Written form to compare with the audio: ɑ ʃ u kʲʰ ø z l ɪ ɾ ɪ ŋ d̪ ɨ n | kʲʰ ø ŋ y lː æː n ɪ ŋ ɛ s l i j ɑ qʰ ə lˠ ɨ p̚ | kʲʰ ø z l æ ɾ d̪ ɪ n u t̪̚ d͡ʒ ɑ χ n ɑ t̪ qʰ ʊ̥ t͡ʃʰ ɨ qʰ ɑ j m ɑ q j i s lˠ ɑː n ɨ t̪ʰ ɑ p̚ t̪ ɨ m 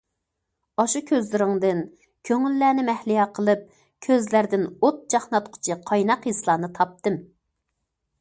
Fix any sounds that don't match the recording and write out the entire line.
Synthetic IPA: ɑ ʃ u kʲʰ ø z l ɪ ɾ ɪ ŋ d̪ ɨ n | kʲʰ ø ŋ y lː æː n ɪ m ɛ h l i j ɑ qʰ ə lˠ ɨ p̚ | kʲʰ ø z l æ ɾ d̪ ɪ n o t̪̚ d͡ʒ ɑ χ n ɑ t̪ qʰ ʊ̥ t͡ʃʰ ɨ qʰ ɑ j n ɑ q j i s lˠ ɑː n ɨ t̪ʰ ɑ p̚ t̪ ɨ m